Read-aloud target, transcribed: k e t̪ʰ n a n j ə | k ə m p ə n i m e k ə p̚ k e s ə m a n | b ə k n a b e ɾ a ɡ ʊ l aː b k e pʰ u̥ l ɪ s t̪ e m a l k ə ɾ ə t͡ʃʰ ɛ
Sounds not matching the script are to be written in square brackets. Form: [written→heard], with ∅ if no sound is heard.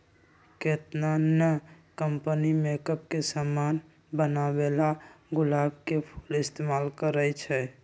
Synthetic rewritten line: k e [t̪ʰ→t̪] n a n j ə | k ə m p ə n i m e k ə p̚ k e s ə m a n | b ə [k→∅] n a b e [ɾ→l] a ɡ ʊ l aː b k e pʰ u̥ l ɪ s t̪ e m a l k ə ɾ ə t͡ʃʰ ɛ